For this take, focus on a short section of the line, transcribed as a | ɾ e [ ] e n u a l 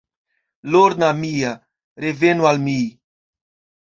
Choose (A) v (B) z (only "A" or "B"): A